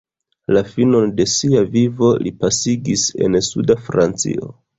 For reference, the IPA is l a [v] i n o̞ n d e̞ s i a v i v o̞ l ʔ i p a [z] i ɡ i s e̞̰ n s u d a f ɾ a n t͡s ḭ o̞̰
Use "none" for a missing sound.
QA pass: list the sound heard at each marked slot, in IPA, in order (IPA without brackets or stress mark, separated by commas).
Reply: f, s